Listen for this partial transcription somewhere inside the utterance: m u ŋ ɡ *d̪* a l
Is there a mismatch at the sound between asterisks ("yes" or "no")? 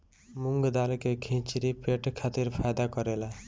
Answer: no